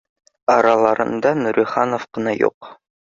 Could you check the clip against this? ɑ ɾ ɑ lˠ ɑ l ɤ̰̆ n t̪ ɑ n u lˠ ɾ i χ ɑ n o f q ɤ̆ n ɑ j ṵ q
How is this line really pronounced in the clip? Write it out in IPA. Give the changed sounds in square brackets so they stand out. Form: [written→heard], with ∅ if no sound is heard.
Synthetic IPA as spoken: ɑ ɾ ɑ lˠ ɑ [l→ɾ] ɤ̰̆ n [t̪→d̪] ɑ n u [lˠ→∅] ɾ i χ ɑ n o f q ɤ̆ n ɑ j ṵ q